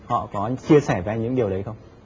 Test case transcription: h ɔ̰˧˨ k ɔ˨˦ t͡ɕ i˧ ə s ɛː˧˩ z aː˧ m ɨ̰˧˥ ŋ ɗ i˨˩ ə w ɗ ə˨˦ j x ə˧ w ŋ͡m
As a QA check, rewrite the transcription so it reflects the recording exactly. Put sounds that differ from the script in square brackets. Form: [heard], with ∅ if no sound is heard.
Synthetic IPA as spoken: h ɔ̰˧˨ k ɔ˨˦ t͡ɕ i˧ ə s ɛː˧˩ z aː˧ [ɲ] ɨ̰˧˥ ŋ ɗ i˨˩ ə w ɗ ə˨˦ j x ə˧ w ŋ͡m